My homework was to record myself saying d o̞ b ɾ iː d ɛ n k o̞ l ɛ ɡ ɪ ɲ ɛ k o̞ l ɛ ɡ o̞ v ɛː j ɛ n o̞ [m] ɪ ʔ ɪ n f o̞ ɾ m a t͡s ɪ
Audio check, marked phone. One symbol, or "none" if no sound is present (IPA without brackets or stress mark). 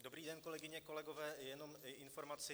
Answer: m